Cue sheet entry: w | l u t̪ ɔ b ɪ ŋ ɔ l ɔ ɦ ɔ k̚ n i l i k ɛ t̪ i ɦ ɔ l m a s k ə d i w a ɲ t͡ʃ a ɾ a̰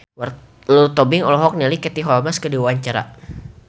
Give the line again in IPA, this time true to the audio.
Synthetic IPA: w | l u t̪ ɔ b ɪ ŋ ɔ l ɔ ɦ ɔ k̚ n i l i k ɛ t̪ i ɦ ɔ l m a s k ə d i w a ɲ t͡ʃ a ɾ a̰

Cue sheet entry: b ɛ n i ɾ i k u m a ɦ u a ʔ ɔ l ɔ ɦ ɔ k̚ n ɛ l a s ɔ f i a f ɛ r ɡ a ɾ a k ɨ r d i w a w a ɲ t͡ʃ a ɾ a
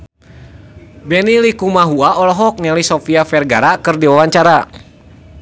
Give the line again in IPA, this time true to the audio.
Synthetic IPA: b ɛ n i l i k u m a ɦ u a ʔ ɔ l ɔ ɦ ɔ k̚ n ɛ l i s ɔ f i a f ɛ r ɡ a ɾ a k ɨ r d i w a w a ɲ t͡ʃ a ɾ a

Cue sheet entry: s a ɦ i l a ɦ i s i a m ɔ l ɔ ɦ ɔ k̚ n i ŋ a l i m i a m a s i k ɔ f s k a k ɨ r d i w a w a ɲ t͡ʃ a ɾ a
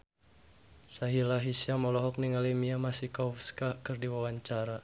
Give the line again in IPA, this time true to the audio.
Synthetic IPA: s a ɦ i l a ɦ i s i a m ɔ l ɔ ɦ ɔ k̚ n i ŋ a l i m i a m a s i k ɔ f s k a k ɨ r d i w a w a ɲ t͡ʃ a ɾ a

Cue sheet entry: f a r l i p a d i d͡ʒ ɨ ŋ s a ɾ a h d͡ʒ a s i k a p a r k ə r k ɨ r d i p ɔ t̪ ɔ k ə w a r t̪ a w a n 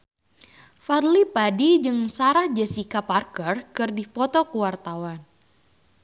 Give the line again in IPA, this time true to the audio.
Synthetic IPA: f a r l i p a d i d͡ʒ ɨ ŋ s a ɾ a h d͡ʒ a s i k a p a r k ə r k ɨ r d i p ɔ t̪ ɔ k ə w a r t̪ a w a n

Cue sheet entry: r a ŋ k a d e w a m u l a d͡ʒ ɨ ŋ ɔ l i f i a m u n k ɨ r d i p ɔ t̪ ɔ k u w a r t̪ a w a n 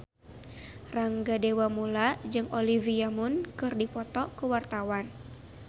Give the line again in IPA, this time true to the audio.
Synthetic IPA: r a ŋ ɡ a d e w a m u l a d͡ʒ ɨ ŋ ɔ l i v i a m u n k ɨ r d i p ɔ t̪ ɔ k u w a r t̪ a w a n

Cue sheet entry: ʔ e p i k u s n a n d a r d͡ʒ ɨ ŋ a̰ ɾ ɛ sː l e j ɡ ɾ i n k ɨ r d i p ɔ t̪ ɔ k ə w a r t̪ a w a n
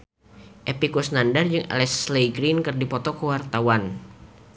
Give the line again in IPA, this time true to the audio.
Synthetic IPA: ʔ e p i k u s n a n d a r d͡ʒ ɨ ŋ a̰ l ɛ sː l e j ɡ ɾ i n k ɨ r d i p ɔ t̪ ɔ k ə w a r t̪ a w a n

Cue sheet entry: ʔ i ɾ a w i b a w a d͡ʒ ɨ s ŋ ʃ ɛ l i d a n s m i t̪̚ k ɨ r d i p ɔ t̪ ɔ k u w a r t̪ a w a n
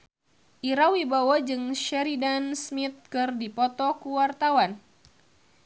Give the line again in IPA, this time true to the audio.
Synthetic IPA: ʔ i ɾ a w i b a w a d͡ʒ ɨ ŋ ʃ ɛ ɾ i d a n s m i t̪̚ k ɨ r d i p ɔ t̪ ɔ k u w a r t̪ a w a n

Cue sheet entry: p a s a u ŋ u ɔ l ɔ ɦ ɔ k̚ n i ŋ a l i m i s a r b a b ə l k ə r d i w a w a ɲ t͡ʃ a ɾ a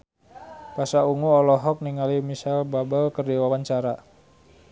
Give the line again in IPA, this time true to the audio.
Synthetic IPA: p a s a u ŋ u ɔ l ɔ ɦ ɔ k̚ n i ŋ a l i m i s a l b a b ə l k ə r d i w a w a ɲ t͡ʃ a ɾ a

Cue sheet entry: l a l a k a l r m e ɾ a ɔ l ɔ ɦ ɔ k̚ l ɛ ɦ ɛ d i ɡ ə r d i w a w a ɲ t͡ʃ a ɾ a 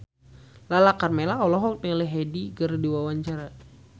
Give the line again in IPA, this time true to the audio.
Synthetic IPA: l a l a k a r m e l a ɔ l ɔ ɦ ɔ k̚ l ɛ ɦ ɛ d i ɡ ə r d i w a w a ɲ t͡ʃ a ɾ a

